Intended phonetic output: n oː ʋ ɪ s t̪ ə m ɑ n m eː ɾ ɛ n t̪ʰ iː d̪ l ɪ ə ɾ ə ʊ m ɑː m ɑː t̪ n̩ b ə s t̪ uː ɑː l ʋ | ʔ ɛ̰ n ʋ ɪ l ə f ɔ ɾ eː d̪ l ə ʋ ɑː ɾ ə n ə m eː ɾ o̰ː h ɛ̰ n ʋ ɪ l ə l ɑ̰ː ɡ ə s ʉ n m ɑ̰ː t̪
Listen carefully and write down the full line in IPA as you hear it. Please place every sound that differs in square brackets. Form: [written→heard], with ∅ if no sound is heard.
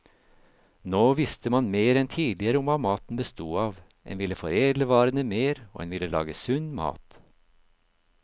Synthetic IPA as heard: n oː ʋ ɪ s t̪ ə m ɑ n m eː ɾ ɛ n t̪ʰ iː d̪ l ɪ ə ɾ ə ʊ m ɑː m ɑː t̪ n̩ b ə s t̪ uː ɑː [l→∅] ʋ | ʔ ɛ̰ n ʋ ɪ l ə f ɔ ɾ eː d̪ l ə ʋ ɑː ɾ ə n ə m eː ɾ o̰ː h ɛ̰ n ʋ ɪ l ə l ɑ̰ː ɡ ə s ʉ n m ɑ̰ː t̪

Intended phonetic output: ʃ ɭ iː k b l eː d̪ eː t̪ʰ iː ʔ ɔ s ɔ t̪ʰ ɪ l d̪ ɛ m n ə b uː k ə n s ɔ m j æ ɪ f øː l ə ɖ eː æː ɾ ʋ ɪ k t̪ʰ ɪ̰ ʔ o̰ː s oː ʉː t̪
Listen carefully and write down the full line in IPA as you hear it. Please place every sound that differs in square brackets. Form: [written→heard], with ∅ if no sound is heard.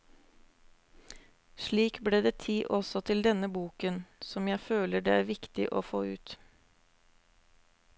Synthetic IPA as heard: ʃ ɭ iː k b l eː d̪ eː t̪ʰ iː ʔ ɔ s ɔ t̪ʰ ɪ l d̪ ɛ [m→∅] n ə b uː k ə n s ɔ m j æ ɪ f øː l ə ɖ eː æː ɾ ʋ ɪ k [t̪ʰ→t̪] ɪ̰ ʔ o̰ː [s→f] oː ʉː t̪

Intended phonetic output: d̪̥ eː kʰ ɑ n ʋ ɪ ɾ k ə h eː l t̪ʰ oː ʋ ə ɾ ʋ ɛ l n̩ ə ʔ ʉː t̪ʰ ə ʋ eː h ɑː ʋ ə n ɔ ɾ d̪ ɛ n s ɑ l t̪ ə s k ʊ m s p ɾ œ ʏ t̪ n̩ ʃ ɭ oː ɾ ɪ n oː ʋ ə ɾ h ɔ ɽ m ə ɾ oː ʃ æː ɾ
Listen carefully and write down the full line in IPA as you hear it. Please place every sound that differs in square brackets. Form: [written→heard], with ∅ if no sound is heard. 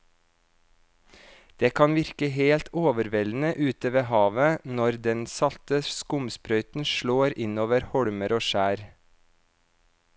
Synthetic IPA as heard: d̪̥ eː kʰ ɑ n ʋ ɪ ɾ k ə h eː l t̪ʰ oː ʋ ə ɾ ʋ ɛ l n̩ ə ʔ ʉː [t̪ʰ→t̪] ə ʋ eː h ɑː ʋ ə n ɔ ɾ d̪ ɛ n s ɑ l t̪ ə s k ʊ m s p ɾ œ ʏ t̪ n̩ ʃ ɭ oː ɾ ɪ n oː ʋ ə ɾ h ɔ ɽ m ə ɾ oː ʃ æː ɾ

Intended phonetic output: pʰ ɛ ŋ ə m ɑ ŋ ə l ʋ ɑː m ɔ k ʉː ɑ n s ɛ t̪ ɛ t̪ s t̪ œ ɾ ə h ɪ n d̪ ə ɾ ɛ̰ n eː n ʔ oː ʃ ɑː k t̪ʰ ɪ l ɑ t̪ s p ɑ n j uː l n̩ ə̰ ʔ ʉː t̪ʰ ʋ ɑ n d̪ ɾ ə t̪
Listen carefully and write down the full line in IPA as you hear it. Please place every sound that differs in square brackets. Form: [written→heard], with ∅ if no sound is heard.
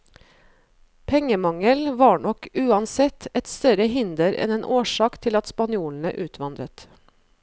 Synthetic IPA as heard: pʰ ɛ ŋ ə m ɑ ŋ ə l ʋ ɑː [m→ɳ] ɔ k ʉː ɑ n s ɛ t̪ ɛ t̪ s t̪ œ ɾ ə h ɪ n d̪ ə ɾ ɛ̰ n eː n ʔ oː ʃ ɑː k t̪ʰ ɪ l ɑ t̪ s p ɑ n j uː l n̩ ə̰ ʔ ʉː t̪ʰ ʋ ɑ n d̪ ɾ ə t̪

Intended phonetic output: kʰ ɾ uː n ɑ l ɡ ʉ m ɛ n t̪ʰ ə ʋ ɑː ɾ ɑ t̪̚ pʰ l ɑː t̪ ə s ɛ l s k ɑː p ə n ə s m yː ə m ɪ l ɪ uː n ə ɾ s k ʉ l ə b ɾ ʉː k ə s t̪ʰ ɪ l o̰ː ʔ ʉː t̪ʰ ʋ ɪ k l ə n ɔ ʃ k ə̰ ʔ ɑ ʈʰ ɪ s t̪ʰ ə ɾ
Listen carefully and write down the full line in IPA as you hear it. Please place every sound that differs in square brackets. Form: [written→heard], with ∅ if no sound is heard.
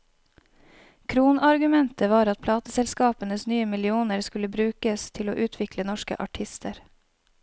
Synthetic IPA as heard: kʰ ɾ uː n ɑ [l→ɾ] ɡ ʉ m ɛ n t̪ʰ ə ʋ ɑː ɾ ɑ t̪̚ pʰ l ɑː t̪ ə s ɛ l s k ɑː p ə n ə s [m→n] yː ə m ɪ l ɪ uː n ə ɾ s k ʉ l ə b ɾ ʉː k ə s t̪ʰ ɪ l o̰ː ʔ ʉː t̪ʰ ʋ ɪ k l ə n ɔ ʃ k ə̰ ʔ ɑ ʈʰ ɪ s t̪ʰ ə ɾ

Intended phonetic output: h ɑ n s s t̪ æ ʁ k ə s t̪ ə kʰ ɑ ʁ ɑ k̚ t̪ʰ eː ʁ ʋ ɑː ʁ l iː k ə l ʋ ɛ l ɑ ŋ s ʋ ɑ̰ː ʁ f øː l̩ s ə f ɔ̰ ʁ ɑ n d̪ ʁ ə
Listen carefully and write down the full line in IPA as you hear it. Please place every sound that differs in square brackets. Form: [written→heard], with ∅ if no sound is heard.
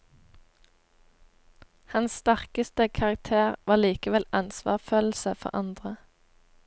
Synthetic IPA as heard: h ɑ n s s t̪ æ ʁ k ə s t̪ ə kʰ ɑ ʁ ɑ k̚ t̪ʰ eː ʁ ʋ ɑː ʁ l iː k ə [l→∅] ʋ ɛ l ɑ [ŋ→n] s ʋ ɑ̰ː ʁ f øː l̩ s ə f ɔ̰ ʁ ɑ n d̪ ʁ ə

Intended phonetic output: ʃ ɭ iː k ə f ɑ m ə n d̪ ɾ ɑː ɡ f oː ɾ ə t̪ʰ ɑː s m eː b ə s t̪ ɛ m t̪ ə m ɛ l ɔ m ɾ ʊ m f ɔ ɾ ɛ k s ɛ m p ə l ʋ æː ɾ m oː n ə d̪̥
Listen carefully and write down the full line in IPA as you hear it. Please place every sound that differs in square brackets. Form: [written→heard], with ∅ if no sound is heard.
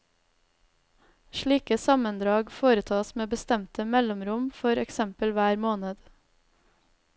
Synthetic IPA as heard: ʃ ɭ iː k ə [f→s] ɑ m ə n d̪ ɾ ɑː ɡ f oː ɾ ə t̪ʰ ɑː s m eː b ə s t̪ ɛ m t̪ ə m ɛ l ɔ m ɾ ʊ m f ɔ ɾ ɛ k s ɛ m p ə l ʋ æː ɾ m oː n ə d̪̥

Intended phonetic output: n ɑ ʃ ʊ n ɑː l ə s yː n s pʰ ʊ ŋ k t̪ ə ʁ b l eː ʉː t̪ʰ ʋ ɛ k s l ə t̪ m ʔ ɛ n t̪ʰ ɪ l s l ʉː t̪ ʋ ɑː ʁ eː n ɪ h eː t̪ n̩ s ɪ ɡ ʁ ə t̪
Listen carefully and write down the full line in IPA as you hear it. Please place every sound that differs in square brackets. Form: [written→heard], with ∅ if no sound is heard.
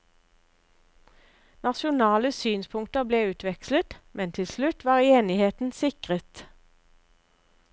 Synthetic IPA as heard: n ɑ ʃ ʊ n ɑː l ə s yː n s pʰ ʊ ŋ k t̪ ə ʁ b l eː ʉː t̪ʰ ʋ ɛ k s l ə t̪ m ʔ ɛ n t̪ʰ ɪ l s l [ʉː→ʉ] t̪ ʋ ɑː ʁ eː n ɪ h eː t̪ n̩ s ɪ [ɡ→k] ʁ ə t̪

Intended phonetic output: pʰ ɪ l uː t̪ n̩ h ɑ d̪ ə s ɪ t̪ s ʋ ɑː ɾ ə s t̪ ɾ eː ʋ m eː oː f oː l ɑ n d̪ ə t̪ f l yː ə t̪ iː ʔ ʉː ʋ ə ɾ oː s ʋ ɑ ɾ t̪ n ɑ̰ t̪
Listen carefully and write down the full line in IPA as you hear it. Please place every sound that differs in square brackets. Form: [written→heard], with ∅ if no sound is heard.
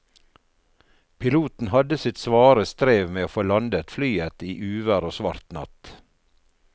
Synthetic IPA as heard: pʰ ɪ l uː t̪ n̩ h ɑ d̪ ə s ɪ t̪ s ʋ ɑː ɾ ə s t̪ ɾ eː ʋ m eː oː f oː l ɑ n d̪ ə t̪ f l yː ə t̪ iː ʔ ʉː ʋ ə ɾ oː s ʋ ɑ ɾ t̪ n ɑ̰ t̪

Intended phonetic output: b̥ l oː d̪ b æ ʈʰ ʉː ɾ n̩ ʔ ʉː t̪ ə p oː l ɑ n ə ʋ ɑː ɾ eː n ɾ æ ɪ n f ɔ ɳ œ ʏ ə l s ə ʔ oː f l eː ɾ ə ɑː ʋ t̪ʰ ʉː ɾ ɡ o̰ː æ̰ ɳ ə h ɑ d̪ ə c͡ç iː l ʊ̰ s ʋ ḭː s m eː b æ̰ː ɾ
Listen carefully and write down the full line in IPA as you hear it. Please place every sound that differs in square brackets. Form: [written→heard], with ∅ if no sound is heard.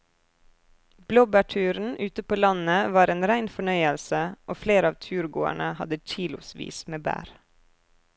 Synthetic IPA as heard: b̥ l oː [d̪→∅] b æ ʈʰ ʉː ɾ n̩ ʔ ʉː t̪ ə p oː l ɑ n ə ʋ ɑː ɾ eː n ɾ æ ɪ n f ɔ ɳ œ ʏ ə l s ə ʔ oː f l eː ɾ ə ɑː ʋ t̪ʰ ʉː ɾ ɡ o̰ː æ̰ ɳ ə h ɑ d̪ ə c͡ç iː l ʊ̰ s ʋ ḭː s m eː b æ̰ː ɾ

